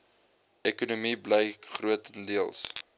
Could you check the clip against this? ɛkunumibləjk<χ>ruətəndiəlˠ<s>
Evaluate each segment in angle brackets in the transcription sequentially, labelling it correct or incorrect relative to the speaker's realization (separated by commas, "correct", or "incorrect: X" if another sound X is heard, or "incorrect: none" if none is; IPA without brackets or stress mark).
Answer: correct, correct